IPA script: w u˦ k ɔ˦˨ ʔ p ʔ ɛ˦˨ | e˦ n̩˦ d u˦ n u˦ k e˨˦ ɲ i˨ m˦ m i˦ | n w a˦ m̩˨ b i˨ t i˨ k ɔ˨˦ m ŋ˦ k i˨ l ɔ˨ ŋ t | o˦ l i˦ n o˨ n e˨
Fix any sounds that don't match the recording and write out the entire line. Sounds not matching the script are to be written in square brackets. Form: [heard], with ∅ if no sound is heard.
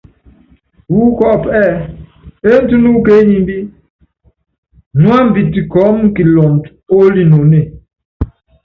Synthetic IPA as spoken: w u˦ k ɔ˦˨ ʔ p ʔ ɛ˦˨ | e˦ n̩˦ [t] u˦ n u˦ k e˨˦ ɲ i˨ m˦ [b] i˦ | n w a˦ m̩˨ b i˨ t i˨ k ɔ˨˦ m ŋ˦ k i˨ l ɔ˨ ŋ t | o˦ l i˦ n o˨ n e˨